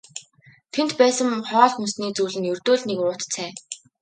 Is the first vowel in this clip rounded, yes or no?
no